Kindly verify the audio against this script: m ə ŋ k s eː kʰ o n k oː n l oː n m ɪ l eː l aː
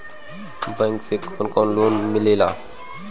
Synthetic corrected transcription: b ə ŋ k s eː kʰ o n k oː n l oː n m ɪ l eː l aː